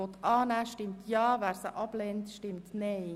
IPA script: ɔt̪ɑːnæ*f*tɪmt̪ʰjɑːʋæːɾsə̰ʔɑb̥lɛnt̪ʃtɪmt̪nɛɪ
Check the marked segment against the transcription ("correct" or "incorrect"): incorrect